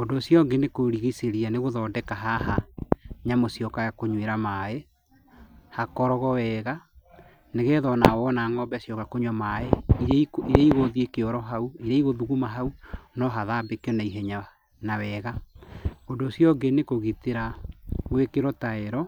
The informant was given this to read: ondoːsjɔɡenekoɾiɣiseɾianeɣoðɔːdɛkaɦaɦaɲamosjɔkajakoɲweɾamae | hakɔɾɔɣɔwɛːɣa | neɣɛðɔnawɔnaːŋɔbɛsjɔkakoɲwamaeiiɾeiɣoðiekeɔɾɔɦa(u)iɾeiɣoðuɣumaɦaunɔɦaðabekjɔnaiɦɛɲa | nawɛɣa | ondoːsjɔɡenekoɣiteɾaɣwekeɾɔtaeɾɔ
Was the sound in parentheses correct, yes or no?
yes